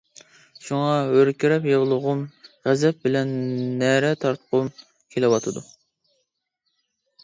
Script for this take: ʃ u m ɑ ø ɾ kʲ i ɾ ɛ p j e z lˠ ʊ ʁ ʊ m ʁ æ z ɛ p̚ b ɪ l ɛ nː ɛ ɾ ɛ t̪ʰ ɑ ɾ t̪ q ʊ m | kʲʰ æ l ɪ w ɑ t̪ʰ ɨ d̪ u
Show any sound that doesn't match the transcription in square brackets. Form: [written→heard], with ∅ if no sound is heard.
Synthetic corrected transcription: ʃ u [m→ŋ] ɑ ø ɾ kʲ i ɾ ɛ p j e [z→ʁ] lˠ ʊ ʁ ʊ m ʁ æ z ɛ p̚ b ɪ l ɛ nː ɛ ɾ ɛ t̪ʰ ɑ ɾ t̪ q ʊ m | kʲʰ [æ→e] l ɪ w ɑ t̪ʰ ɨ d̪ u